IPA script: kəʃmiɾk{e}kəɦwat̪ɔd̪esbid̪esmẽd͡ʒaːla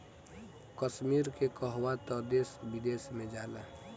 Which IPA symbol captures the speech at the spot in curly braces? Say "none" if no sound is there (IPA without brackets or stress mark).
e